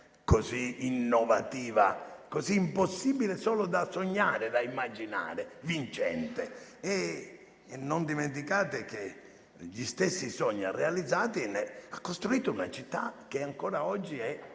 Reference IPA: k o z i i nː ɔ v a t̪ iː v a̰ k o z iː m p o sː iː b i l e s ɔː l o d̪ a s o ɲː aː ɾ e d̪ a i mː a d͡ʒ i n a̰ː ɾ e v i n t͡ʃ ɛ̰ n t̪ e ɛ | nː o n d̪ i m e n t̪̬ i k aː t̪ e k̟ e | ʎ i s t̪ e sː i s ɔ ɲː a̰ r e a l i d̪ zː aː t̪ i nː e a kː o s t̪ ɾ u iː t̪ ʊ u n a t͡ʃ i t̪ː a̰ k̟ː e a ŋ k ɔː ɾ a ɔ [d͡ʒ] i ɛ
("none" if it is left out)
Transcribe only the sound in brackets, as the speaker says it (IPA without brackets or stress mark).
d͡ʒː